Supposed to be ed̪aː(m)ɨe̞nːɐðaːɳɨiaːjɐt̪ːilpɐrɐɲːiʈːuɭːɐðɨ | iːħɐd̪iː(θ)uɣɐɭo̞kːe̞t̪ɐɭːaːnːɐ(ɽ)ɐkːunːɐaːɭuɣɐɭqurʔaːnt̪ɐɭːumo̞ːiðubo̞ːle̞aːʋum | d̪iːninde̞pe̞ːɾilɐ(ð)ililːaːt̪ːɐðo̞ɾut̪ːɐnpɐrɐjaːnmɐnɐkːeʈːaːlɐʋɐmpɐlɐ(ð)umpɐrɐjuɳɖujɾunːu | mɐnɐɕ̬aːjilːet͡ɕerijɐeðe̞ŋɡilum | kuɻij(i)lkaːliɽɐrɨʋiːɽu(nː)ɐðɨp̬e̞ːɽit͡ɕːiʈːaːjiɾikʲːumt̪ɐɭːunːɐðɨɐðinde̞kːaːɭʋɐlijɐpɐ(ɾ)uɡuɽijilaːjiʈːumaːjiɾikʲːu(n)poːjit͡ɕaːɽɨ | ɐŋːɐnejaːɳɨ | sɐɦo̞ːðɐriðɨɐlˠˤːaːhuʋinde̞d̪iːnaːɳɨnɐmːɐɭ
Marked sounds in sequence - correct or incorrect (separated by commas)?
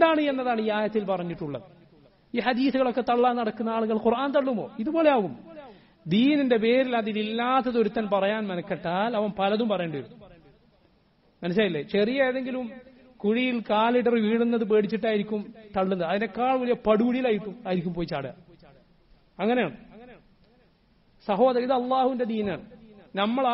incorrect, correct, correct, correct, correct, correct, correct, incorrect, incorrect